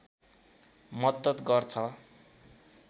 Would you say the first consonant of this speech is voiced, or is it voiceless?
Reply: voiced